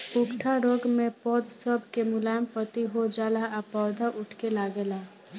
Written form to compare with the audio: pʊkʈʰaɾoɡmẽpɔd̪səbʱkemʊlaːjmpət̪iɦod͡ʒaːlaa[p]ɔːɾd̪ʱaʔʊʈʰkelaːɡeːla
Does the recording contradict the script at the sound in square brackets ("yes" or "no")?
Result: no